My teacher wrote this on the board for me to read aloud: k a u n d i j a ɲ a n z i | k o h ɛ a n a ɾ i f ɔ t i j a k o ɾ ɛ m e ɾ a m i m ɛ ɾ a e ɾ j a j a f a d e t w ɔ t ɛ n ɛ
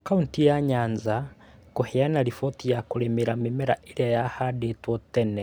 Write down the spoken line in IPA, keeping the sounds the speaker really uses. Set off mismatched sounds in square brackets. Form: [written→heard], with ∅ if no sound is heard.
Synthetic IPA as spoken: k a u n [d→t] i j a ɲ a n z [i→a] | k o h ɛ a n a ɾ i f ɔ t i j a k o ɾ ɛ m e ɾ a m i m ɛ ɾ a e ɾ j a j a [f→h] a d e t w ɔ t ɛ n ɛ